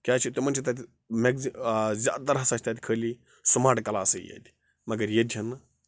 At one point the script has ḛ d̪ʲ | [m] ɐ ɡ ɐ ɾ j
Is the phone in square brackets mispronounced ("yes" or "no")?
no